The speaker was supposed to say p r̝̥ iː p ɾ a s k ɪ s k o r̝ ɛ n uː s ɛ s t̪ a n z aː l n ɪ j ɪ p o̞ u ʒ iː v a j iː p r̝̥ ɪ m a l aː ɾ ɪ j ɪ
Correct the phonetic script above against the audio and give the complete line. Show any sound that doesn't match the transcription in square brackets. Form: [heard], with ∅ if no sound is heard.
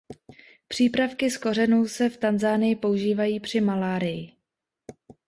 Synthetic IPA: p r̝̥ iː p ɾ a [f] k ɪ s k o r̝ ɛ n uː s ɛ [f] t̪ a n z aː [∅] n ɪ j ɪ p o̞ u ʒ iː v a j iː p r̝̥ ɪ m a l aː ɾ ɪ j ɪ